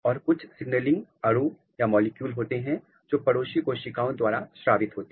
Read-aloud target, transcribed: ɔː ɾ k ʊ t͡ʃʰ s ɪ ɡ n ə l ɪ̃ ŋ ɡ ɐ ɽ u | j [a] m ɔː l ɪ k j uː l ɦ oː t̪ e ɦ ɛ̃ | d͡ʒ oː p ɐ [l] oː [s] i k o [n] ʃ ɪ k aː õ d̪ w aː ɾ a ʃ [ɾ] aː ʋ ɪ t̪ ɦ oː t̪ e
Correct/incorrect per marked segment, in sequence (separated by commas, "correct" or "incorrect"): correct, incorrect, incorrect, incorrect, correct